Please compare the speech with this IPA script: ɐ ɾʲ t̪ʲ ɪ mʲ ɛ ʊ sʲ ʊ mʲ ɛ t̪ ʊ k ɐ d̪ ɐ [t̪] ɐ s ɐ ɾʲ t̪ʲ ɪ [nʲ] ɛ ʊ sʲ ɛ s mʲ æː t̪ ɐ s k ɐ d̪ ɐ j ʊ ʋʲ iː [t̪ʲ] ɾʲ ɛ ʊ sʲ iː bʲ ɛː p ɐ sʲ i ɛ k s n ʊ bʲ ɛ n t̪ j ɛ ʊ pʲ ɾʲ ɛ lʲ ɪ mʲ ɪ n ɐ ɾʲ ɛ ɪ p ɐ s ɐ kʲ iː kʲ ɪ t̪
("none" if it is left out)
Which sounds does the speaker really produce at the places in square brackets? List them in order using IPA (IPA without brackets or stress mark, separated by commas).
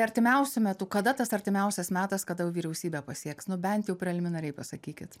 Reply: t̪, mʲ, none